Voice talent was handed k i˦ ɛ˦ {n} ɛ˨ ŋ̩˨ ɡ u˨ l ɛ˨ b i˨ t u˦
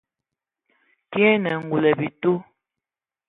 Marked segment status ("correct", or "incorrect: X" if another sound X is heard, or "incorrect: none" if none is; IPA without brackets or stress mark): correct